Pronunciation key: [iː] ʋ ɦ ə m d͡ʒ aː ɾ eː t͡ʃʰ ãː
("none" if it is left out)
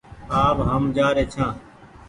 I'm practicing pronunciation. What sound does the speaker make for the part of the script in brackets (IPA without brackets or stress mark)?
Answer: aː